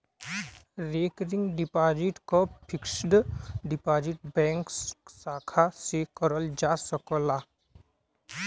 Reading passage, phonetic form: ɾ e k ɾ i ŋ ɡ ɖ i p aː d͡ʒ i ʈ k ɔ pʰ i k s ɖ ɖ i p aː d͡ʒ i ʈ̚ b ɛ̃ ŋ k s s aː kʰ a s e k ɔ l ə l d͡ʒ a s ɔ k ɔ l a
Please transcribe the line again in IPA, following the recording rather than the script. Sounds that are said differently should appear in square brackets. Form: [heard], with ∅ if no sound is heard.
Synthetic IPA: ɾ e k ɾ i ŋ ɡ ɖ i p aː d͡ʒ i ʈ k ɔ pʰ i k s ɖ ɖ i p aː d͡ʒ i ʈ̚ b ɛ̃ ŋ k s s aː kʰ a s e k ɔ [ɾ] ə l d͡ʒ a s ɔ k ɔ l a